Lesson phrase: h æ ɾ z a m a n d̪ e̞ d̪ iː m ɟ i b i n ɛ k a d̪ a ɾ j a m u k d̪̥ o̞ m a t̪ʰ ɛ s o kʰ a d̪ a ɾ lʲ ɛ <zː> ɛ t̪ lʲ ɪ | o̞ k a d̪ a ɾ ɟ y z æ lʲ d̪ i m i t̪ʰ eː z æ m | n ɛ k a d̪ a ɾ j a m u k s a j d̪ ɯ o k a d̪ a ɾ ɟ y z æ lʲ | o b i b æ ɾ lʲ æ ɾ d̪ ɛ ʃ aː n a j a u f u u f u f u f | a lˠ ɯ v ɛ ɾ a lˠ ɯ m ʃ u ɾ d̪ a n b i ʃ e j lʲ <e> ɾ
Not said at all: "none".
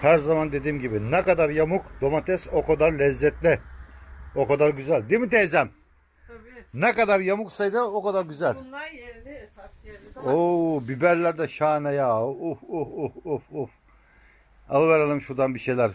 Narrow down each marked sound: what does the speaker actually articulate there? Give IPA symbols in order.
zː, æ

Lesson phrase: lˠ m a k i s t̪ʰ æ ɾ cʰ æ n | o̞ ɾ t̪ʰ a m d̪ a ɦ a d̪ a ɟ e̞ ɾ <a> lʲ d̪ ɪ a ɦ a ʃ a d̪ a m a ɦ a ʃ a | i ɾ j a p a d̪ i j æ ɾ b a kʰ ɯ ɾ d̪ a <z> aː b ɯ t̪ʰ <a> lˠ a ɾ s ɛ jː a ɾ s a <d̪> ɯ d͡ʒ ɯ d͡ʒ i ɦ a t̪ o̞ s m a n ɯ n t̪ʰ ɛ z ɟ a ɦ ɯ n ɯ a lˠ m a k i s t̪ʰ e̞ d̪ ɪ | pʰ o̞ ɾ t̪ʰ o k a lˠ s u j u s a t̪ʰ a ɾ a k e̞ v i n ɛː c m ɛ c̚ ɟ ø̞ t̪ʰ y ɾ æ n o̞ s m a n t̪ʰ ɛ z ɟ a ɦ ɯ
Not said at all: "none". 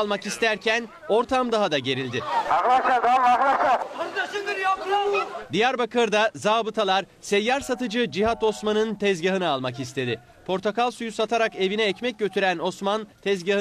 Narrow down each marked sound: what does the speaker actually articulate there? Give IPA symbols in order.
i, z, a, t̪

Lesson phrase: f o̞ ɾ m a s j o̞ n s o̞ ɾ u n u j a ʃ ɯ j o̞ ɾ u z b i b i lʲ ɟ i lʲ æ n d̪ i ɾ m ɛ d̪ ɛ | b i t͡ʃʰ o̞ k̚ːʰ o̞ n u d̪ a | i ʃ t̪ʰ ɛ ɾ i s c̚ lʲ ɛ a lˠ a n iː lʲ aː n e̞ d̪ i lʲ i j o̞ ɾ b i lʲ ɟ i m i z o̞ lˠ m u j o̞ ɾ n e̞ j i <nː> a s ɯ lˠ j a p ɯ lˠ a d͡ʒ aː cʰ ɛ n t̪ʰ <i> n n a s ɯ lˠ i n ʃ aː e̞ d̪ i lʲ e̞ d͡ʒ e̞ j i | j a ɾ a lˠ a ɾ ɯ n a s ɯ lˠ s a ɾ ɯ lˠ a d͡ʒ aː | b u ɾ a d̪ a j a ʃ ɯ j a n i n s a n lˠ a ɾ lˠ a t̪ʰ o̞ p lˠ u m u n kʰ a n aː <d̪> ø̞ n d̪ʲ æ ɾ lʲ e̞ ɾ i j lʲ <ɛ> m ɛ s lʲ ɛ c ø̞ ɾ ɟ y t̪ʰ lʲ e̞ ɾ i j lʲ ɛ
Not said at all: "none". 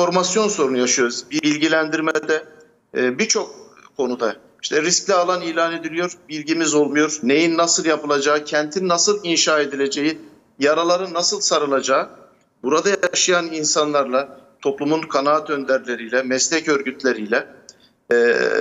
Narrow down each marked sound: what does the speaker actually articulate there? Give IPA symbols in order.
nː, i, t̪, ɛ

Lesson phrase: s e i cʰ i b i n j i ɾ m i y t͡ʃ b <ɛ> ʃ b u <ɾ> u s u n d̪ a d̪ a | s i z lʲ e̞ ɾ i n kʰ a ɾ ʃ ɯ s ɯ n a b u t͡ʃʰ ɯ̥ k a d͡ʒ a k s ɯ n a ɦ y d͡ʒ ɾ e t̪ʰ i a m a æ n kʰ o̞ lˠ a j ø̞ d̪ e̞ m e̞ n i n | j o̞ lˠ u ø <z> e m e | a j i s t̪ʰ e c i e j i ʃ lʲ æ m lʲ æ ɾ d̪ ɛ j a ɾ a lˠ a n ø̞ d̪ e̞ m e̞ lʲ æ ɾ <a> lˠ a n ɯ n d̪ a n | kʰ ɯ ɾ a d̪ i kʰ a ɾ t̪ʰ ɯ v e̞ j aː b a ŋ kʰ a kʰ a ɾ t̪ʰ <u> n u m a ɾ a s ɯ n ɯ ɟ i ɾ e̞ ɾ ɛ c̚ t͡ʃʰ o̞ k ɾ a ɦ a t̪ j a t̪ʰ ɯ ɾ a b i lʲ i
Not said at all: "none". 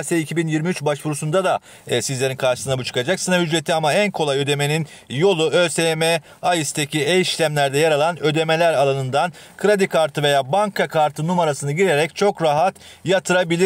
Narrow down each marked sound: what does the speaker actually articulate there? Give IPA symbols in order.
a, ɾ, s, a, ɯ

